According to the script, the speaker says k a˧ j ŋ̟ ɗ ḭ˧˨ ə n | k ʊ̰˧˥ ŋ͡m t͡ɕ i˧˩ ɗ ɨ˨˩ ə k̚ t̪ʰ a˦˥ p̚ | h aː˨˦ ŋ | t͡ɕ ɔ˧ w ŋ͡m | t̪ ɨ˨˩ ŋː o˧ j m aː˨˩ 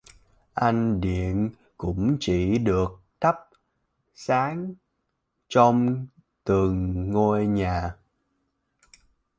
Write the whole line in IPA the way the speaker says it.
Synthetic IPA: ʔ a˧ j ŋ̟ ɗ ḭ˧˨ ə n | k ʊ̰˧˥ ŋ͡m t͡ɕ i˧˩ ɗ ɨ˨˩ ə k̚ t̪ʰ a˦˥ p̚ | s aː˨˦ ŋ | t͡ɕ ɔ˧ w ŋ͡m | t̪ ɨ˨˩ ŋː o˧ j ɲ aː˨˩